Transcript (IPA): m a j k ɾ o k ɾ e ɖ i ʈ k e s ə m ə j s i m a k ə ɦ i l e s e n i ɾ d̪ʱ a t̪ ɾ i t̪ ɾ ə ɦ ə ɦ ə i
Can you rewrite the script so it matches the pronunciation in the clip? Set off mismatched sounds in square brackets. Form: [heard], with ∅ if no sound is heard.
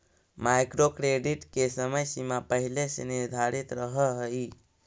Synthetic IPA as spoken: m a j k ɾ o k ɾ e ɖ i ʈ k e s ə m ə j s i m a [p] ə ɦ i l e s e n i ɾ d̪ʱ a [∅] ɾ i t̪ ɾ ə ɦ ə ɦ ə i